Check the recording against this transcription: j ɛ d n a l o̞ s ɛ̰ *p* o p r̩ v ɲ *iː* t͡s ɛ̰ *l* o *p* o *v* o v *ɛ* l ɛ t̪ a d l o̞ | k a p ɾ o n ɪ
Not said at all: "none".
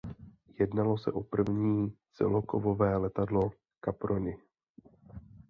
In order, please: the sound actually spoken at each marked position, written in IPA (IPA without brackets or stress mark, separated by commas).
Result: ʔ, iː, l, k, v, ɛː